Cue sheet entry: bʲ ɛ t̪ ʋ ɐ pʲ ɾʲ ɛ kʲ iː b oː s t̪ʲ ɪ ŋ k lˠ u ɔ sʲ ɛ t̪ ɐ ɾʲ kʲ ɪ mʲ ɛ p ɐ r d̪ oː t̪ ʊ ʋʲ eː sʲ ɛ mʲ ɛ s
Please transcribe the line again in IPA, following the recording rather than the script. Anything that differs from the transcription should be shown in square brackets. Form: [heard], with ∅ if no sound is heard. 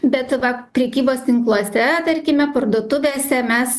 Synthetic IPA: bʲ ɛ t̪ ʋ ɐ pʲ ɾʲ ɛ kʲ iː b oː s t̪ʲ ɪ ŋ k lˠ u ɔ sʲ ɛ t̪ ɐ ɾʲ kʲ ɪ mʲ ɛ p ɐ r d̪ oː t̪ ʊ ʋʲ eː sʲ ɛ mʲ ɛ s